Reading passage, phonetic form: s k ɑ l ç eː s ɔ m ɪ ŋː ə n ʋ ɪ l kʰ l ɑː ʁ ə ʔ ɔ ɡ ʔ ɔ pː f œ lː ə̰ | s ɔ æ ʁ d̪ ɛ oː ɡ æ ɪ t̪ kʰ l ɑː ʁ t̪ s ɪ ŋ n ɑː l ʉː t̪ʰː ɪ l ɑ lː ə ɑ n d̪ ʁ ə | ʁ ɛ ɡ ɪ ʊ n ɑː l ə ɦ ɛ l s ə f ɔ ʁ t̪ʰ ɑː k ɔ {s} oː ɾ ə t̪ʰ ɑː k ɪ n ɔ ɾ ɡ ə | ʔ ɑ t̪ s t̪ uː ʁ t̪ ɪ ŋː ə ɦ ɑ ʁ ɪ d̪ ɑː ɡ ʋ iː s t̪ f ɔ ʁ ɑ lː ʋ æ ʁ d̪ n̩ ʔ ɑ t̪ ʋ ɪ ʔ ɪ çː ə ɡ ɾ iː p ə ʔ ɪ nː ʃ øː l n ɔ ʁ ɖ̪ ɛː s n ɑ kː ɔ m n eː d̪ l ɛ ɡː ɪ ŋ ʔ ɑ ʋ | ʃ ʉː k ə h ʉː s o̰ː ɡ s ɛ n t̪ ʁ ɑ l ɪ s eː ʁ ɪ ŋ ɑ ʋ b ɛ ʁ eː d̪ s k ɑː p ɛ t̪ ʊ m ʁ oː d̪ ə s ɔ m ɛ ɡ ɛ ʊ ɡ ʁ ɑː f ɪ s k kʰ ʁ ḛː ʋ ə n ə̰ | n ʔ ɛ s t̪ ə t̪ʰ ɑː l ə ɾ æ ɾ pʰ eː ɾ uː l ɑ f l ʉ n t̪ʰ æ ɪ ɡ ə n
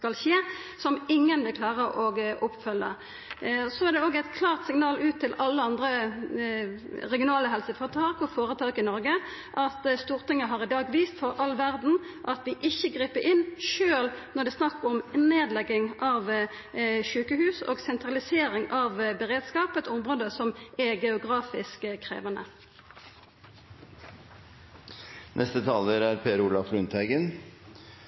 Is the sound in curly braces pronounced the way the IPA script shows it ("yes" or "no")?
no